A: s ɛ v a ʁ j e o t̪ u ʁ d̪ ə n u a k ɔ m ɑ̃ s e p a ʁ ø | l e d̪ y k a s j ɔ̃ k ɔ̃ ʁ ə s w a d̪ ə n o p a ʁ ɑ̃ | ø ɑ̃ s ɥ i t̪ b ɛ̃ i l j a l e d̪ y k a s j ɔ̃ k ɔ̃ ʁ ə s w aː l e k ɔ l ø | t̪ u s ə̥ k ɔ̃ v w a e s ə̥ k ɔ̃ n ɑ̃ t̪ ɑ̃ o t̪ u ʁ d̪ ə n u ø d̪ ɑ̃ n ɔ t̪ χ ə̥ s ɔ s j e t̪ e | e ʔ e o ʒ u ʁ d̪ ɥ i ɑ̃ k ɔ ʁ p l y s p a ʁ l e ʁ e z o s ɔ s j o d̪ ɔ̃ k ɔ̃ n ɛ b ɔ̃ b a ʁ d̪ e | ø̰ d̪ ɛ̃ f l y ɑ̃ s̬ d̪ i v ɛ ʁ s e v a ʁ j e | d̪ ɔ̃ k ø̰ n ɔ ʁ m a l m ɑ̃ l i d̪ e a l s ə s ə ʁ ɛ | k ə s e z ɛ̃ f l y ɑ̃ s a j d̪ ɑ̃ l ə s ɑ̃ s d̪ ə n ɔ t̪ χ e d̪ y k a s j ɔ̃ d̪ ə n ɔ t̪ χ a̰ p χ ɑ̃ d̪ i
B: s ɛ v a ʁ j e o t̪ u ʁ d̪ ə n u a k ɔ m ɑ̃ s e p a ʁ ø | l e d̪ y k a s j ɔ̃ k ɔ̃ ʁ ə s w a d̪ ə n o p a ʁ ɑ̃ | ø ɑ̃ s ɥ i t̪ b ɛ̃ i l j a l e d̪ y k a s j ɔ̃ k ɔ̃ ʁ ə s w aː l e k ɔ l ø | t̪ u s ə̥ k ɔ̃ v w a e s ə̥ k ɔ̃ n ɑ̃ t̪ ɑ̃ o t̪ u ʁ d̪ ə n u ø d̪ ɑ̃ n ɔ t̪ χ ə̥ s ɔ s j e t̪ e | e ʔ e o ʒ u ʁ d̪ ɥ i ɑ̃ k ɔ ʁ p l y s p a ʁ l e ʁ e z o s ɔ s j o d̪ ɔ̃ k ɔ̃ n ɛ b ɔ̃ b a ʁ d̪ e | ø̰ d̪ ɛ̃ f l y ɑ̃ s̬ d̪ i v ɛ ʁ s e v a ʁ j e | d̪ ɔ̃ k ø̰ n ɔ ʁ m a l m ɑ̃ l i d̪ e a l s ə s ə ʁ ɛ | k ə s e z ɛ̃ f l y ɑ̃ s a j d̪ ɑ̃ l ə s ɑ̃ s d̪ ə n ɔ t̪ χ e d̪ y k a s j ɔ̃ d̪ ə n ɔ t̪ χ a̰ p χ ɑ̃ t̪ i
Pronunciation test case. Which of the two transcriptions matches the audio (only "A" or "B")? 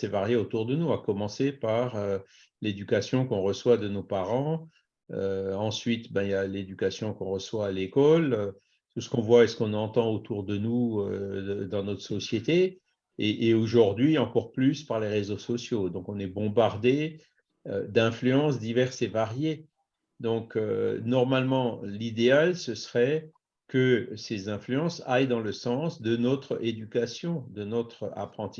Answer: B